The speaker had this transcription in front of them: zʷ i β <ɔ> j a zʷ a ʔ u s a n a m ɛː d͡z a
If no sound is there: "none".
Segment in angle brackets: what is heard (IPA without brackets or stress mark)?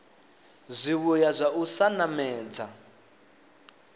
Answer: u